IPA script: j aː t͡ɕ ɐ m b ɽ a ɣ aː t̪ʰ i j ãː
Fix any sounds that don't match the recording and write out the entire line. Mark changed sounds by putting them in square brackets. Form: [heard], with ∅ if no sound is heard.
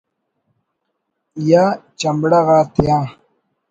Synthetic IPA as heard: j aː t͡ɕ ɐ m b ɽ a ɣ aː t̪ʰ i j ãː